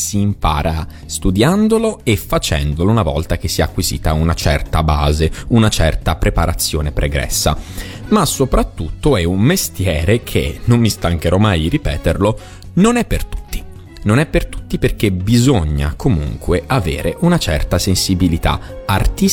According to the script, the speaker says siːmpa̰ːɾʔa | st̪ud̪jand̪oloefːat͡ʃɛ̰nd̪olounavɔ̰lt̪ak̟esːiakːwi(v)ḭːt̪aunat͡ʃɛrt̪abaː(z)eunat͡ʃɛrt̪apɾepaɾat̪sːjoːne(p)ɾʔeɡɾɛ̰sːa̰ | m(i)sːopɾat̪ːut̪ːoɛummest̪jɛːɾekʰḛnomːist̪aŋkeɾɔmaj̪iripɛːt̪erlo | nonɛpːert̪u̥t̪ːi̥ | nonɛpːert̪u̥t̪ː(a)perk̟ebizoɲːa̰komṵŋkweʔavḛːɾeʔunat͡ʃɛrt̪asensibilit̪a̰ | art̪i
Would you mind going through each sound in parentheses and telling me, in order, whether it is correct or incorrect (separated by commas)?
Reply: incorrect, correct, correct, incorrect, incorrect